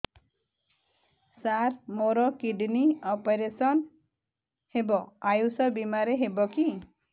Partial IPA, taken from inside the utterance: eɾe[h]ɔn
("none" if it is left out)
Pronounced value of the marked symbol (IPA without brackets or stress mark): s